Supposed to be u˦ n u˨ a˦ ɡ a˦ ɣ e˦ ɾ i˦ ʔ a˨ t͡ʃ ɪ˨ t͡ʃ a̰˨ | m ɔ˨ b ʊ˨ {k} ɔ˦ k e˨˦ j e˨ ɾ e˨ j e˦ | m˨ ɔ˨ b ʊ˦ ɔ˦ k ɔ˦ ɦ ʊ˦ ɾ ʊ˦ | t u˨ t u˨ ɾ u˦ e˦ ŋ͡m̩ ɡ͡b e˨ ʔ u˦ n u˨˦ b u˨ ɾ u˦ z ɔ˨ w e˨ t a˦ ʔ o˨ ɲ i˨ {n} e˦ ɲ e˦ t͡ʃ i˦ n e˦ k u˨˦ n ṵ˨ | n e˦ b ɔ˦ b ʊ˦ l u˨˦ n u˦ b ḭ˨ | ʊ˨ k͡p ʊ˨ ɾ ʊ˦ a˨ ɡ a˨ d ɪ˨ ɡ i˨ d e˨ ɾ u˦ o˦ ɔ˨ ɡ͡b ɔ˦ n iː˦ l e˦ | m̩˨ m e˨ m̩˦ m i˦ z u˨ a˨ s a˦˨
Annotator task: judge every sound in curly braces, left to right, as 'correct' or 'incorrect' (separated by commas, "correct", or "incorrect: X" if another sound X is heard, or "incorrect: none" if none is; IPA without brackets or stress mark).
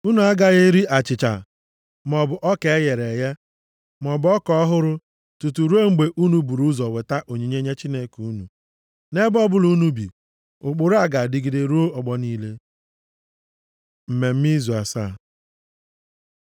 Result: incorrect: ʔ, incorrect: ɲ